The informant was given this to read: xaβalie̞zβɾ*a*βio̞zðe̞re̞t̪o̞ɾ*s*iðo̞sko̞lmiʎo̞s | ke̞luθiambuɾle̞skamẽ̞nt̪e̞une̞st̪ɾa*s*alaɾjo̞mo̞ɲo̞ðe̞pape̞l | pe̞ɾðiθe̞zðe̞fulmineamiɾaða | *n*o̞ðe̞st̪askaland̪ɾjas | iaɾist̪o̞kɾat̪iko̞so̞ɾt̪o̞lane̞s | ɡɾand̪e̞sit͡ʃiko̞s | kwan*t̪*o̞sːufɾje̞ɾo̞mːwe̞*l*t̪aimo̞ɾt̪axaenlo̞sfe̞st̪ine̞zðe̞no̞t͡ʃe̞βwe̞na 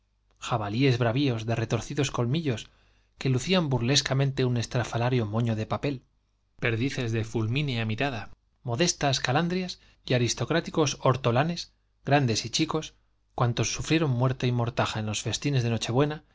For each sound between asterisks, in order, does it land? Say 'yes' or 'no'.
yes, no, no, no, yes, no

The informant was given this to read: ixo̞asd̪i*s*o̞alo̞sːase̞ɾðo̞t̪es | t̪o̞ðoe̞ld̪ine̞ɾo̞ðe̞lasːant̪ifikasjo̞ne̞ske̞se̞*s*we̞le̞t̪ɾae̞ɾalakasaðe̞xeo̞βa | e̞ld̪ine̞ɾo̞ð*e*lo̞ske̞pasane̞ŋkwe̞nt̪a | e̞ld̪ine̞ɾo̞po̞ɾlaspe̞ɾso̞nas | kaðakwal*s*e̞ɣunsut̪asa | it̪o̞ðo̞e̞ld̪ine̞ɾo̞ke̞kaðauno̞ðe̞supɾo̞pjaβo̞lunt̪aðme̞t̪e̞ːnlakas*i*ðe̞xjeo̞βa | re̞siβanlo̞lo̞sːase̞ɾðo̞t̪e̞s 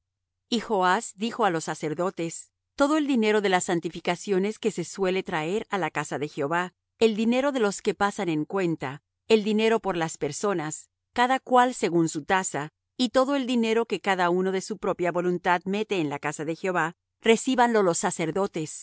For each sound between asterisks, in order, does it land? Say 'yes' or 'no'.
no, yes, yes, yes, no

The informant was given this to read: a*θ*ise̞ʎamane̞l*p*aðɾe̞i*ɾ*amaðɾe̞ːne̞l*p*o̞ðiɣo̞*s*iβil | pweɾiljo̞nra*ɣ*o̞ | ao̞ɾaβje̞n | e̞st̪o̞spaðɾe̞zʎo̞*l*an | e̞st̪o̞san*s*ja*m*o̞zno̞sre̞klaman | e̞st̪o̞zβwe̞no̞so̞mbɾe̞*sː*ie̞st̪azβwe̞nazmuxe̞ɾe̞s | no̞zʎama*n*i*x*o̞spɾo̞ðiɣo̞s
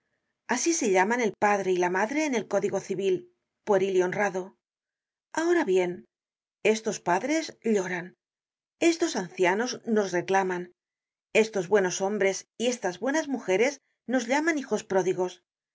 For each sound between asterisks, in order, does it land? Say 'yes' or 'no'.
no, yes, no, no, no, no, no, no, no, no, yes, yes

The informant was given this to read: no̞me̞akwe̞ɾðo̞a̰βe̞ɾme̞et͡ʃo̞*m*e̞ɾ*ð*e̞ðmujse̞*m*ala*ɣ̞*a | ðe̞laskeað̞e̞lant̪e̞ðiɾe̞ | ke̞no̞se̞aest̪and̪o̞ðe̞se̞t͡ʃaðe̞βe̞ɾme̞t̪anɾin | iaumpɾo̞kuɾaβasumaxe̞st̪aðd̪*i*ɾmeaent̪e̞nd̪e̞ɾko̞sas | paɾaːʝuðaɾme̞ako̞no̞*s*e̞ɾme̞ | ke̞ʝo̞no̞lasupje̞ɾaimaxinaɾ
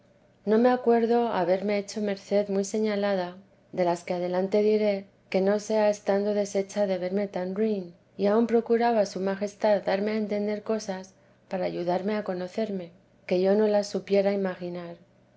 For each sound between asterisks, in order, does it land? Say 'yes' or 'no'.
yes, no, no, no, no, no

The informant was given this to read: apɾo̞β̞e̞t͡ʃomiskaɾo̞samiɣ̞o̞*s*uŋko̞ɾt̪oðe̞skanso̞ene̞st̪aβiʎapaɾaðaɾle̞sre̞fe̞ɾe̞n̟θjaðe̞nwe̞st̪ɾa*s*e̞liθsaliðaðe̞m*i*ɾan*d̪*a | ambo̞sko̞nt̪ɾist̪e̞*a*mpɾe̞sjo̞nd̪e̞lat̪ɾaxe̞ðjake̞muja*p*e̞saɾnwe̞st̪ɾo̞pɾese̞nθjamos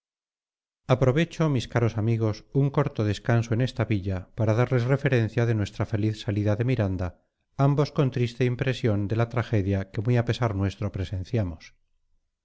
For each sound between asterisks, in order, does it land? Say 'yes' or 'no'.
yes, no, yes, yes, no, yes

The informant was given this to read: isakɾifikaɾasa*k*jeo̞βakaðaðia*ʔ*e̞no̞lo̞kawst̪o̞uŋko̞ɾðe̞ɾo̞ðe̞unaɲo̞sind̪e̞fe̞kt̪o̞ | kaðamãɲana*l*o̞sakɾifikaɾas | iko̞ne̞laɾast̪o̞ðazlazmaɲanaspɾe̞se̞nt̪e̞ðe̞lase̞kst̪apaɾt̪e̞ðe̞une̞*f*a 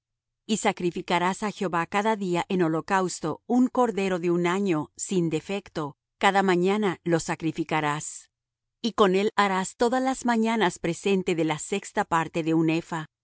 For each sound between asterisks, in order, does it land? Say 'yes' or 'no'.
no, yes, yes, yes

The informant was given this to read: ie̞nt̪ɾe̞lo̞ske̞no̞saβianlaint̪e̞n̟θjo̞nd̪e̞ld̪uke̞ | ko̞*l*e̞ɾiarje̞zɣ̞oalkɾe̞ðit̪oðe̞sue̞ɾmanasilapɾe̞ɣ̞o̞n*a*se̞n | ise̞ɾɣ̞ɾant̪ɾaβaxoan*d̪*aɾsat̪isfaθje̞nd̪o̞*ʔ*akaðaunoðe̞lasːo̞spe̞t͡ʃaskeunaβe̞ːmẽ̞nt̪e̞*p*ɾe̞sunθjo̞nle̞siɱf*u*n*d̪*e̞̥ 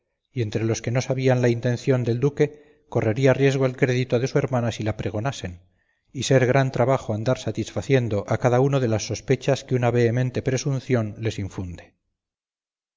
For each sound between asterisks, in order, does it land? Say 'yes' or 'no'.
no, yes, yes, yes, yes, yes, yes

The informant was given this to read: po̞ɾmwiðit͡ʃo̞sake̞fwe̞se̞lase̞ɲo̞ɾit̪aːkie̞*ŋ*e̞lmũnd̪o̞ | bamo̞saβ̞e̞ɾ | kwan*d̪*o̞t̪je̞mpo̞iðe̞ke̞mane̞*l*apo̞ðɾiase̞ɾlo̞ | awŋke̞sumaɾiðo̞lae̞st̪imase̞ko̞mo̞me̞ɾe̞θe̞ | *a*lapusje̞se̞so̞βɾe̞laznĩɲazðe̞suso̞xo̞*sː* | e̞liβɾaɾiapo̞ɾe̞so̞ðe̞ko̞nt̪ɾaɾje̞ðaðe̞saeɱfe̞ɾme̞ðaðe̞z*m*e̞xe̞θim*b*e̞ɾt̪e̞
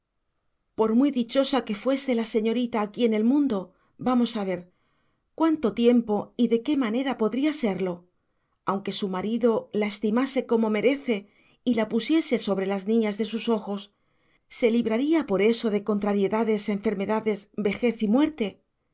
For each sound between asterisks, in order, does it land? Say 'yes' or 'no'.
no, no, no, no, yes, no, no

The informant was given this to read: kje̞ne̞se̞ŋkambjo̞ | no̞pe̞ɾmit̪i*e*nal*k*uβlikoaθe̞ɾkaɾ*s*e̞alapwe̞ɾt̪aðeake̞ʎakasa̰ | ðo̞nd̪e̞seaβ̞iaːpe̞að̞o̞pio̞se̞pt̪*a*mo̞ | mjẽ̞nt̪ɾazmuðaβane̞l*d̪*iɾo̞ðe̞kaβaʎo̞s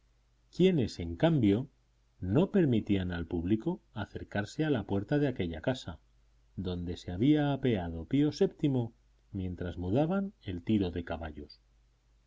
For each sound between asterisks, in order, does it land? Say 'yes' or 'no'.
no, no, yes, no, no

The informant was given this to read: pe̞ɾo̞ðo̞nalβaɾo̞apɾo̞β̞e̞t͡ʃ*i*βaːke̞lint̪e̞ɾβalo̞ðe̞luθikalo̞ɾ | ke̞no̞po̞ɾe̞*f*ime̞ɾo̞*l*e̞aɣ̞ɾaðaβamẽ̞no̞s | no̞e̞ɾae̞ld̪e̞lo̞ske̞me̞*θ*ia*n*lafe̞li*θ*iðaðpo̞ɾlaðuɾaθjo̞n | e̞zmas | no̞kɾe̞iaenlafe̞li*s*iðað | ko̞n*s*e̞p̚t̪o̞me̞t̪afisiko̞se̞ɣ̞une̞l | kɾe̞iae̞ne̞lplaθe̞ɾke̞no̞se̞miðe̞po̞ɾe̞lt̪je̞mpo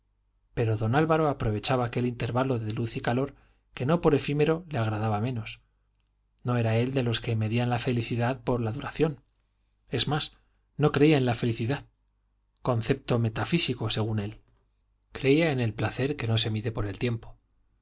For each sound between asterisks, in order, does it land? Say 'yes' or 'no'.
no, yes, yes, no, yes, yes, no, no

